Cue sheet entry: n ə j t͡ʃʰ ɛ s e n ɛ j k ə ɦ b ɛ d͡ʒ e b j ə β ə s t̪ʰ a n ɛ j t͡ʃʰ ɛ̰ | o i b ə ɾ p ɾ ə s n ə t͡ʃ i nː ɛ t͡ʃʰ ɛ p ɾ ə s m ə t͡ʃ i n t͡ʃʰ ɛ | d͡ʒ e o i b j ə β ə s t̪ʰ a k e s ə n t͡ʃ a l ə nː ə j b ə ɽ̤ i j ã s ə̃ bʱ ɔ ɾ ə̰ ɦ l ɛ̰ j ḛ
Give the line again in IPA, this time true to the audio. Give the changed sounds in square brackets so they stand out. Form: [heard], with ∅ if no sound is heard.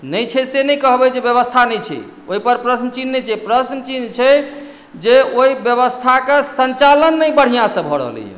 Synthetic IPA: n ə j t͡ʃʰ ɛ s e n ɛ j k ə ɦ b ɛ d͡ʒ e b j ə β ə s t̪ʰ a n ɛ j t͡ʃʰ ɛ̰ | o i [p] ə ɾ p ɾ ə s n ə t͡ʃ i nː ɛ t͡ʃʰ ɛ p ɾ ə s [n] ə t͡ʃ i n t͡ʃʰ ɛ | d͡ʒ e o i b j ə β ə s t̪ʰ a k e s ə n t͡ʃ a l ə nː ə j b ə ɽ̤ i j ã s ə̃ bʱ ɔ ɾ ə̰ ɦ l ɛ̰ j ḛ